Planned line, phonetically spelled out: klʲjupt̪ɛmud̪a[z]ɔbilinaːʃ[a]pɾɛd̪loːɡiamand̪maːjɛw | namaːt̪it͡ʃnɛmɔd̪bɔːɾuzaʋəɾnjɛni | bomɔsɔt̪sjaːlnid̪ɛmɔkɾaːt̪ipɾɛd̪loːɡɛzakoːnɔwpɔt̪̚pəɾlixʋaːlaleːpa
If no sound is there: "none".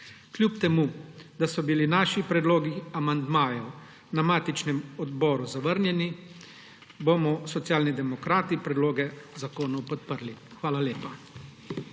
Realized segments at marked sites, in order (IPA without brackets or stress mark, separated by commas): s, i